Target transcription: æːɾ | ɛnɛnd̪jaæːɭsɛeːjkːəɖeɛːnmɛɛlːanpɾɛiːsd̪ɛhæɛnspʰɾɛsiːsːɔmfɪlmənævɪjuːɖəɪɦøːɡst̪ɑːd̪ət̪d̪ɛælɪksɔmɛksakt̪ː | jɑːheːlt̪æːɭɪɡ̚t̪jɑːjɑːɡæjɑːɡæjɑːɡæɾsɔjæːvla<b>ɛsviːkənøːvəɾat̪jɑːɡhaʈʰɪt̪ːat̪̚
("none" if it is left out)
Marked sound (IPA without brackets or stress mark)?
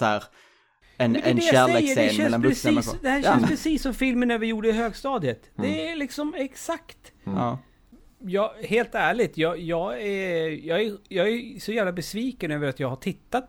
b